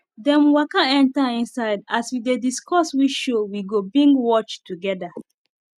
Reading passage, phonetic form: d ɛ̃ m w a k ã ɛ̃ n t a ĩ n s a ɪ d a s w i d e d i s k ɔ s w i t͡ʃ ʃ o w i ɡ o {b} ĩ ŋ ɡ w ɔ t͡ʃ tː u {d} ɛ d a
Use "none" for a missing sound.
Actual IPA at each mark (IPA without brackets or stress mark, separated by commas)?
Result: b, ɡ